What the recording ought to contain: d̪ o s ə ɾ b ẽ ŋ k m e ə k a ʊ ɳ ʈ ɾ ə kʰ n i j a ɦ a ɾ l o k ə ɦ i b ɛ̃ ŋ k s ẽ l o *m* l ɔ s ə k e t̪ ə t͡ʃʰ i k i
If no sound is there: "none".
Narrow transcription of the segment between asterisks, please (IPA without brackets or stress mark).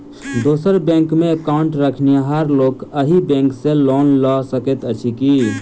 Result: n